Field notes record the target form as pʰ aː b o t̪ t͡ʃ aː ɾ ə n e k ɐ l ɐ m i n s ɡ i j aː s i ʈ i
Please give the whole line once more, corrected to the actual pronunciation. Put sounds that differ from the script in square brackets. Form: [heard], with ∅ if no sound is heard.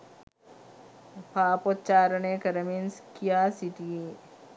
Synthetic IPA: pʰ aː [p] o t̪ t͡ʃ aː ɾ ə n e k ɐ [ɾ] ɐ m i n s [k] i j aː s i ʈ i